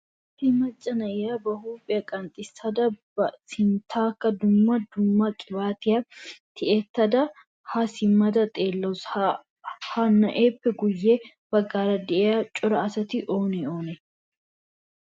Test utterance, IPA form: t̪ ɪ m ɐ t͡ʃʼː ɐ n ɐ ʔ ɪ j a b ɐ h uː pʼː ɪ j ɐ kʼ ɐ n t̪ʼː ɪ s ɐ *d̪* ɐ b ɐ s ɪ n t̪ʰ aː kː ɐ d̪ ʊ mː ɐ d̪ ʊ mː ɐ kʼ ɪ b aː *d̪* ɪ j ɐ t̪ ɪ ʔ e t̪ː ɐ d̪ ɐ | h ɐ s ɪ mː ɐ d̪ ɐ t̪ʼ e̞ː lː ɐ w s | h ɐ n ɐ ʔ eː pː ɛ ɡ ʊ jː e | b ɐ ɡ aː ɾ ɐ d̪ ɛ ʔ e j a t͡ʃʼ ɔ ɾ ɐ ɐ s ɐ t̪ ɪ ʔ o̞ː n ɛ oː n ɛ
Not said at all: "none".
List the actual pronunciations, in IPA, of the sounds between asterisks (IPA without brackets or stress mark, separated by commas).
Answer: d̪, t̪